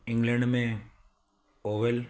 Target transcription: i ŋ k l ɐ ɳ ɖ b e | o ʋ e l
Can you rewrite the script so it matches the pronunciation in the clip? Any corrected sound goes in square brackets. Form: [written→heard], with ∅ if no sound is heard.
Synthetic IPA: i ŋ [k→ɡ] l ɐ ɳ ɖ [b→m] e | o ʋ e l